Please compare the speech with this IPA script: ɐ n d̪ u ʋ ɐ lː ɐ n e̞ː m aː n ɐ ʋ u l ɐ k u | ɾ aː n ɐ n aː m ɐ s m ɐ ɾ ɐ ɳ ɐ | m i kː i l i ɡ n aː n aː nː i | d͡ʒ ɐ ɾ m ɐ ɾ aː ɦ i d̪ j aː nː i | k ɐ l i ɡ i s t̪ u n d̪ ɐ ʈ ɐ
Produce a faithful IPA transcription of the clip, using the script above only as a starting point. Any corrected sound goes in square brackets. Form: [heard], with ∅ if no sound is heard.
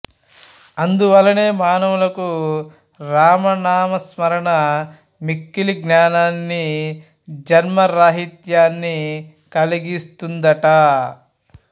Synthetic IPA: ɐ n d̪ u ʋ ɐ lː ɐ n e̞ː m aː n ɐ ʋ u l ɐ k u | ɾ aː [m] ɐ n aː m ɐ s m ɐ ɾ ɐ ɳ ɐ | m i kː i l i ɡ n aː n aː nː i | d͡ʒ ɐ ɾ m ɐ ɾ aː ɦ i [t̪] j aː nː i | k ɐ l i ɡ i s t̪ u n d̪ ɐ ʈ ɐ

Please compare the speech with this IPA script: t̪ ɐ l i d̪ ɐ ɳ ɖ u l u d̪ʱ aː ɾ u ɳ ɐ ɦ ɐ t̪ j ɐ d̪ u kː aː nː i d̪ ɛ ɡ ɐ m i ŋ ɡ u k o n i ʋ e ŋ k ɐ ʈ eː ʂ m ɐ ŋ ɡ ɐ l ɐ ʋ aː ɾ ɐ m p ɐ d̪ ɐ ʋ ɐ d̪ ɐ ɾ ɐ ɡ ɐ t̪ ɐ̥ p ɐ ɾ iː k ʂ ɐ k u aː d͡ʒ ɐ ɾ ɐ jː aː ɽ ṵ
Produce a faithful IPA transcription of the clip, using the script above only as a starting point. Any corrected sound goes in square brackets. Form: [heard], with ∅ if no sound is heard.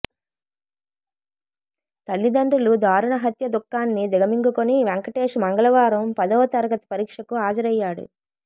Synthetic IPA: t̪ ɐ [lː] i d̪ ɐ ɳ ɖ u l u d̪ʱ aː ɾ u ɳ ɐ ɦ ɐ t̪ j ɐ d̪ u kː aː nː i d̪ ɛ ɡ ɐ m i ŋ ɡ u k o n i ʋ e ŋ k ɐ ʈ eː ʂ m ɐ ŋ ɡ ɐ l ɐ ʋ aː ɾ ɐ m p ɐ d̪ ɐ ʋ ɐ [t̪] ɐ ɾ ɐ ɡ ɐ t̪ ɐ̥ p ɐ ɾ iː k ʂ ɐ k u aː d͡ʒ ɐ ɾ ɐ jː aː ɽ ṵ

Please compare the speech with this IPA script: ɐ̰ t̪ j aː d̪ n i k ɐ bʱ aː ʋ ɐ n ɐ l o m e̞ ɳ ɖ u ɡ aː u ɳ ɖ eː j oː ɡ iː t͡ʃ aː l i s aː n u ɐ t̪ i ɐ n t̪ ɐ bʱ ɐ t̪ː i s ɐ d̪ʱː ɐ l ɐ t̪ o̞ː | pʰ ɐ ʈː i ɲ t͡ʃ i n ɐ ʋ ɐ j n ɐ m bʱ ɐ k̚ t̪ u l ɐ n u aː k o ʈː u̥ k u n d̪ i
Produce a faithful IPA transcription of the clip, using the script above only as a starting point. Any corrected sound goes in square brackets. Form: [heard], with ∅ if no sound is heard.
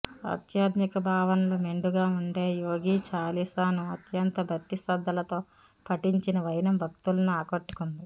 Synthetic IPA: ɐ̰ t̪ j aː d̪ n i k ɐ bʱ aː ʋ ɐ n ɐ l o m e̞ ɳ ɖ u ɡ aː u ɳ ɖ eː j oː ɡ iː t͡ʃ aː l i s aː n u ɐ t̪ [j] ɐ n t̪ ɐ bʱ ɐ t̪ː i s ɐ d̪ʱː ɐ l ɐ t̪ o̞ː | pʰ ɐ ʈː i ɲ t͡ʃ i n ɐ ʋ ɐ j n ɐ m bʱ ɐ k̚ t̪ u l ɐ n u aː k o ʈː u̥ k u n d̪ i

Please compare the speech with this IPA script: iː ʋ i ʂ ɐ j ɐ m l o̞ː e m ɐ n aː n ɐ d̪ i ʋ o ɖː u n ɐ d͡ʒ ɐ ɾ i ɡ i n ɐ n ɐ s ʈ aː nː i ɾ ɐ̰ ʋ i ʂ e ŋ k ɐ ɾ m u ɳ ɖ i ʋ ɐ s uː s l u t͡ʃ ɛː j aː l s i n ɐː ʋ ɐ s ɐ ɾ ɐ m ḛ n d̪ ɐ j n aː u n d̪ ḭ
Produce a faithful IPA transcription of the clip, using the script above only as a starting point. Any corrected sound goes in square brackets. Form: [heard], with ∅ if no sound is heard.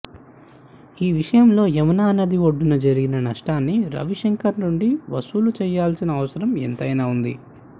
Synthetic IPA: iː ʋ i ʂ ɐ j ɐ m l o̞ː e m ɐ n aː n ɐ d̪ i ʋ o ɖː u n ɐ d͡ʒ ɐ ɾ i ɡ i n ɐ n ɐ [ʂ] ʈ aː nː i ɾ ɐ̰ ʋ i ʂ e ŋ k ɐ ɾ [n] u ɳ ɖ i ʋ ɐ s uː [∅] l u t͡ʃ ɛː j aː l s i n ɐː ʋ ɐ s ɐ ɾ ɐ m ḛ n [t̪] ɐ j n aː u n d̪ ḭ

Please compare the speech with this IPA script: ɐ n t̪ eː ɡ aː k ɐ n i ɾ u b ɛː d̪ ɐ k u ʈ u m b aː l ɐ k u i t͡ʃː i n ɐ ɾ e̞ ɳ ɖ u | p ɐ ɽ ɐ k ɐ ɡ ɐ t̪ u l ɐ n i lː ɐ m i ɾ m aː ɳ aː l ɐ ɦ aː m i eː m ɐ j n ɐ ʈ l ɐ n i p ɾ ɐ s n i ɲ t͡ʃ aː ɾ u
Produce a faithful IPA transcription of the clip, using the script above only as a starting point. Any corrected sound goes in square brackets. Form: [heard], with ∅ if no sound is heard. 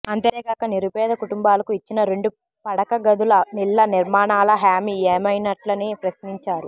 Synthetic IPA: ɐ n t̪ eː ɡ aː k ɐ n i ɾ u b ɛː d̪ ɐ k u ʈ u m b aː l ɐ k u i t͡ʃː i n ɐ ɾ e̞ ɳ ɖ u | p ɐ ɽ ɐ k ɐ ɡ ɐ [d̪] u l ɐ n i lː ɐ [n] i ɾ m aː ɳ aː l ɐ ɦ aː m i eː m ɐ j n ɐ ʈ l ɐ n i p ɾ ɐ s n i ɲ t͡ʃ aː ɾ u

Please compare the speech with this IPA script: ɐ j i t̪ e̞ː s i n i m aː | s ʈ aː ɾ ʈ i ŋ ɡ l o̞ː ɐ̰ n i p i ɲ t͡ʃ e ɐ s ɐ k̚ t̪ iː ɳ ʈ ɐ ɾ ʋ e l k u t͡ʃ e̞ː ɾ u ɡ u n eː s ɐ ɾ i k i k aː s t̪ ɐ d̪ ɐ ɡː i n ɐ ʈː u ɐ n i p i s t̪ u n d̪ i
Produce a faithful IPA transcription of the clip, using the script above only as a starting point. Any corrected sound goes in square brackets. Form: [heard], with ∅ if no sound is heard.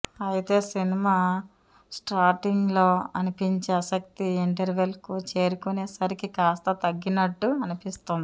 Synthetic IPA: ɐ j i t̪ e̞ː s i n i m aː | s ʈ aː ɾ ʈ i ŋ ɡ l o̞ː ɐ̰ n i p i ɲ t͡ʃ e ɐ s ɐ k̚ t̪ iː ɳ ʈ ɐ ɾ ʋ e l k u t͡ʃ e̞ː ɾ u [k] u n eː s ɐ ɾ i k i k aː s t̪ ɐ [t̪] ɐ ɡː i n ɐ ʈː u ɐ n i p i s t̪ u n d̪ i

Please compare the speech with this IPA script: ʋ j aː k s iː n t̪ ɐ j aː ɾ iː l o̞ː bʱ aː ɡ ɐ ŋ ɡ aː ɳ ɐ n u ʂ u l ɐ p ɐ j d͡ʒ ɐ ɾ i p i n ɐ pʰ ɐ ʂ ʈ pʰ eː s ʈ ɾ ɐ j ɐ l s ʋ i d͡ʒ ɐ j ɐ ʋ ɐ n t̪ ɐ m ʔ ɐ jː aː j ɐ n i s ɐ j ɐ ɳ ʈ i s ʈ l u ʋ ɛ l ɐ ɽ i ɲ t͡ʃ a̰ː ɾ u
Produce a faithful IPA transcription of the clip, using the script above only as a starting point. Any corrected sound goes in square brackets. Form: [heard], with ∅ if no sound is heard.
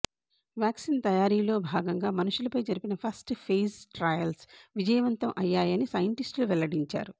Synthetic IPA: ʋ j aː k s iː n t̪ ɐ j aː ɾ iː l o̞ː bʱ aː ɡ ɐ ŋ ɡ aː [m] ɐ n u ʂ u l ɐ p ɐ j d͡ʒ ɐ ɾ i p i n ɐ pʰ ɐ [s] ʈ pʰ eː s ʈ ɾ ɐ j ɐ l s ʋ i d͡ʒ ɐ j ɐ ʋ ɐ n t̪ ɐ m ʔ ɐ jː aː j ɐ n i s ɐ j ɐ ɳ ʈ i s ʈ l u ʋ ɛ l ɐ ɽ i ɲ t͡ʃ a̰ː ɾ u

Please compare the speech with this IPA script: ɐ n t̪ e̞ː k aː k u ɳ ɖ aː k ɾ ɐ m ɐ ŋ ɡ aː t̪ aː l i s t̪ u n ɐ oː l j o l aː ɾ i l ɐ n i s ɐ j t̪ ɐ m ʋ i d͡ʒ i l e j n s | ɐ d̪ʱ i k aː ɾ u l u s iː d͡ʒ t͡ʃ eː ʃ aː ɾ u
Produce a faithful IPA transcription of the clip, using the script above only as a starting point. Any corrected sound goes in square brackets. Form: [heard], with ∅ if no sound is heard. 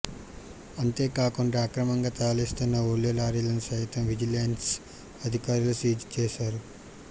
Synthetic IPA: ɐ n t̪ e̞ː k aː k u ɳ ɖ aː k ɾ ɐ m ɐ ŋ ɡ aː t̪ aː l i s t̪ u [nː] ɐ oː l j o l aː ɾ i l ɐ n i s ɐ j t̪ ɐ m ʋ i d͡ʒ i l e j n s | ɐ d̪ʱ i k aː ɾ u l u s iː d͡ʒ t͡ʃ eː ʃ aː ɾ u

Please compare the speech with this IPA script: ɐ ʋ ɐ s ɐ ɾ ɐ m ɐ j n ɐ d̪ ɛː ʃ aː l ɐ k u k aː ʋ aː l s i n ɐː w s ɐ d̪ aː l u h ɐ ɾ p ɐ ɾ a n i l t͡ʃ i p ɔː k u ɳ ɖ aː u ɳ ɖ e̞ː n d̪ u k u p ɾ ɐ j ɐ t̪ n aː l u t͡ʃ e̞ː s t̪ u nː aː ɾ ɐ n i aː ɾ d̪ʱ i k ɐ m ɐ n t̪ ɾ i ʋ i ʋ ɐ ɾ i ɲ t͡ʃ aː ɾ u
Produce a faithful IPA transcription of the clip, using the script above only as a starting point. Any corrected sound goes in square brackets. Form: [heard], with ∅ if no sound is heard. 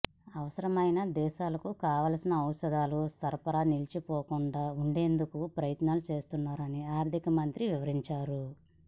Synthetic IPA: ɐ ʋ ɐ s ɐ ɾ ɐ m ɐ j n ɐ d̪ ɛː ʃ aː l ɐ k u k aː ʋ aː l s i n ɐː w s ɐ d̪ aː l u [s] ɐ ɾ p ɐ ɾ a n i l t͡ʃ i p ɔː k u ɳ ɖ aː u ɳ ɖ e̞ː n d̪ u k u p ɾ ɐ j ɐ t̪ n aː l u t͡ʃ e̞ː s t̪ u nː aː ɾ ɐ n i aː ɾ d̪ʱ i k ɐ m ɐ n t̪ ɾ i ʋ i ʋ ɐ ɾ i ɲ t͡ʃ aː ɾ u

